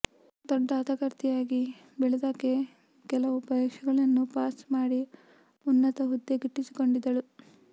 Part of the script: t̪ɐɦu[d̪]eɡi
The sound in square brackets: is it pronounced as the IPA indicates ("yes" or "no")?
no